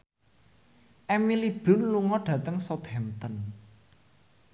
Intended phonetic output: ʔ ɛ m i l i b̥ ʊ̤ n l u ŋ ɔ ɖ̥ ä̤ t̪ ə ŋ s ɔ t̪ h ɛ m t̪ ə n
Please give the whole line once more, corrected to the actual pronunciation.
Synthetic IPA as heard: ʔ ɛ m i l i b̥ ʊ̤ n l u ŋ ɔ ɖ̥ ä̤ t̪ ə ŋ s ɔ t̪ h ɛ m t̪ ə n